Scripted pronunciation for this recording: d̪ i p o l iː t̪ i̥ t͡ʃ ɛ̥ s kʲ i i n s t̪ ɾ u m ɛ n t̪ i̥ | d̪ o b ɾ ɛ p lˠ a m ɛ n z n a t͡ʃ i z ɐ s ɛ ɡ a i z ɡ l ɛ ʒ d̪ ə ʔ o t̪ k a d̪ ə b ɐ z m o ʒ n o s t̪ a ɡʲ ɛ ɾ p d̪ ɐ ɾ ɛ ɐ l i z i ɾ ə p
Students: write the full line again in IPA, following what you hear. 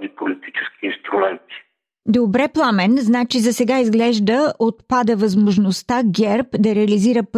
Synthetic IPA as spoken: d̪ i p o l i t̪ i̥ t͡ʃ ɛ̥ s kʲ i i n s t̪ ɾ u m ɛ n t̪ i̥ | d̪ o b ɾ ɛ p lˠ a m ɛ n z n a t͡ʃ i z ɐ s ɛ ɡ a i z ɡ l ɛ ʒ d̪ ə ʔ o t̪ p a d̪ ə v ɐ z m o ʒ n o s t̪ a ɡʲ ɛ ɾ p d̪ ɐ ɾ ɛ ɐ l i z i ɾ ə p